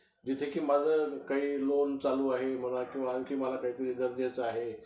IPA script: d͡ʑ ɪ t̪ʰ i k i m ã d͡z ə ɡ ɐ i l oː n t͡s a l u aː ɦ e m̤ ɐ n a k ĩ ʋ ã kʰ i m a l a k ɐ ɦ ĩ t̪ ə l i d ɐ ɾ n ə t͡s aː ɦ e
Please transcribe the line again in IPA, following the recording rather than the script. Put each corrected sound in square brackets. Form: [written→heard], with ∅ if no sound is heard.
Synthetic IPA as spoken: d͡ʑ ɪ t̪ʰ [i→e] k i m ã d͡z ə [ɡ→k] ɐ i l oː n t͡s a l u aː ɦ e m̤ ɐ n a k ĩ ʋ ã kʰ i m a l a k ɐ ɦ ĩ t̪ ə [l→ɾ] i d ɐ ɾ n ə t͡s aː ɦ e